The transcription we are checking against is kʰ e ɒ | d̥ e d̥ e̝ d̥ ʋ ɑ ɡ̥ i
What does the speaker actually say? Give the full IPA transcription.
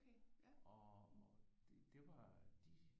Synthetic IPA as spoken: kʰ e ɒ | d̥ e d̥ e̝ ʋ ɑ d̥ i